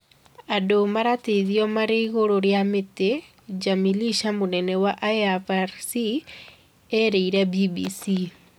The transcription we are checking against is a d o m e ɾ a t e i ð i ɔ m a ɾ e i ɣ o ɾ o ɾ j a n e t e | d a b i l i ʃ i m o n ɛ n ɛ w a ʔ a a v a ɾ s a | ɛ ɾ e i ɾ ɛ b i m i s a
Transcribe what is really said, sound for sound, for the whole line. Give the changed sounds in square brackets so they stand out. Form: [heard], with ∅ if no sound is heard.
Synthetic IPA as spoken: a d o m [a] ɾ a t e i ð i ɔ m a ɾ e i ɣ o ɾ o ɾ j a [m] e t e | [d͡ʒ] a [m] i l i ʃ [a] m o n ɛ n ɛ w a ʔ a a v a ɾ s [i] | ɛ ɾ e i ɾ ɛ b i [b] i s [i]